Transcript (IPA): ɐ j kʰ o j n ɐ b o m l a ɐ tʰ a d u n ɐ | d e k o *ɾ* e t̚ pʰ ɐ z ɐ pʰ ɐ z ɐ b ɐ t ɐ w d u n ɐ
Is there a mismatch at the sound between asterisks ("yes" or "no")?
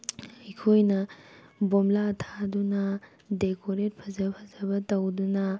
no